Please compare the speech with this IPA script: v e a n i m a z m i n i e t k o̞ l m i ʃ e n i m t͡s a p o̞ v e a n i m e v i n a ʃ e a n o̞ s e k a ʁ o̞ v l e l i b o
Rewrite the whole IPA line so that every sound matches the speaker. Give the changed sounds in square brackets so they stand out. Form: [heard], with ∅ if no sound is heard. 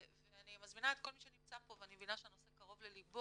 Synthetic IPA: v e a n i m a z m i n [a] e t k o̞ l m i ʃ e n i m t͡s a p o̞ v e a n i m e v i n a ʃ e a n o̞ s e k a ʁ o̞ v l e l i b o